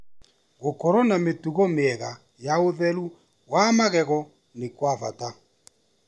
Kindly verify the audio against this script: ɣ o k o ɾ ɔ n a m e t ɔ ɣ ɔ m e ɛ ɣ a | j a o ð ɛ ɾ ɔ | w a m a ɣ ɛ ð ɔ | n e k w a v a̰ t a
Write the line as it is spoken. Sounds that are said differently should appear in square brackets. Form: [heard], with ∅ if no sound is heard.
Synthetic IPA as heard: ɣ o k [ɔ] ɾ ɔ n a m e t [u] ɣ ɔ m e ɛ ɣ a | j a o ð ɛ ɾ [u] | w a m a ɣ ɛ [ɣ] ɔ | n e k w a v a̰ t a